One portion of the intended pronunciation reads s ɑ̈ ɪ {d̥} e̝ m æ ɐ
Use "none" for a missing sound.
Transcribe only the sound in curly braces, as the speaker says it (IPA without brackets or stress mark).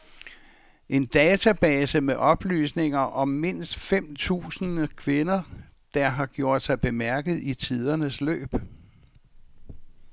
b̥